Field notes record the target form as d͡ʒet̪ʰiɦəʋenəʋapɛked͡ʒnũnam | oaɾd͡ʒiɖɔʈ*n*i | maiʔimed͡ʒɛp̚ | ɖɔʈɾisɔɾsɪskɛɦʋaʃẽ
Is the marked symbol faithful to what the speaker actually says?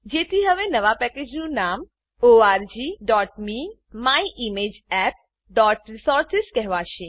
no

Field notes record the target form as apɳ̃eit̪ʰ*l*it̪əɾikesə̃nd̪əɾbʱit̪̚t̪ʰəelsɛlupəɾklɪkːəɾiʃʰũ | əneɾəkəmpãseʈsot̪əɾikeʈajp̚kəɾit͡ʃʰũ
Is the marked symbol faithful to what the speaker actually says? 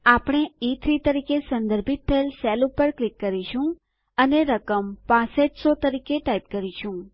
no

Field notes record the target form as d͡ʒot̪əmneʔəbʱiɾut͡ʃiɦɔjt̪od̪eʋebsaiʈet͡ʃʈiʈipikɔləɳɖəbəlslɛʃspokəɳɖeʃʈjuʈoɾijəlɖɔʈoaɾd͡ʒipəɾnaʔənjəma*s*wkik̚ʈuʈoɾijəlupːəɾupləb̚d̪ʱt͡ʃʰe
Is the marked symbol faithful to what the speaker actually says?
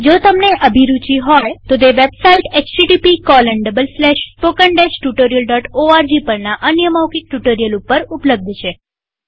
no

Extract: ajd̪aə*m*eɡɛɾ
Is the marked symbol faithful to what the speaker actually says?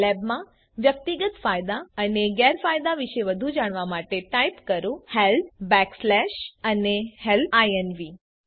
no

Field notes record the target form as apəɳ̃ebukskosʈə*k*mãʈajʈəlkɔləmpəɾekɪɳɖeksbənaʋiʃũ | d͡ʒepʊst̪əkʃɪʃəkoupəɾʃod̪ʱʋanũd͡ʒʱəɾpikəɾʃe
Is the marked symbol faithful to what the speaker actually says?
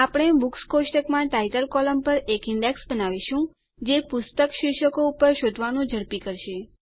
yes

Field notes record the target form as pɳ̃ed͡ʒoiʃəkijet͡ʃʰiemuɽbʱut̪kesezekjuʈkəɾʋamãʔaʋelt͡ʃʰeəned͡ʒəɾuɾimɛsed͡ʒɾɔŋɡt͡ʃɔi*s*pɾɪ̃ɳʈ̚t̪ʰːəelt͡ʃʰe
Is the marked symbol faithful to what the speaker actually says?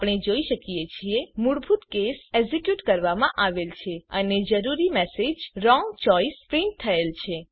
yes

